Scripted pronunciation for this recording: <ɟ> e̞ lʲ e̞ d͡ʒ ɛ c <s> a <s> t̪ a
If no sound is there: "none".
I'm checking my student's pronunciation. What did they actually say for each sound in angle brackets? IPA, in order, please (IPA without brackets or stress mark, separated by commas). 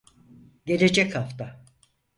ɟ, h, f